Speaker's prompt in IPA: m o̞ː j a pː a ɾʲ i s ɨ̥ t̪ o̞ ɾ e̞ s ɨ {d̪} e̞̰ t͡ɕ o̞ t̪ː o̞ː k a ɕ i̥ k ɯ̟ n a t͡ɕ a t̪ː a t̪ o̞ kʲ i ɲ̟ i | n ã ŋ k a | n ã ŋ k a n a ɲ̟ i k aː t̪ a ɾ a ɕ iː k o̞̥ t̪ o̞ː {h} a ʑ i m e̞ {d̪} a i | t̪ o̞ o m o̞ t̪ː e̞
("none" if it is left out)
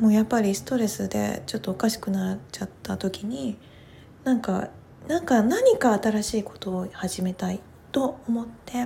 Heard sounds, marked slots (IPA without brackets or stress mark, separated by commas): d̪, h, t̪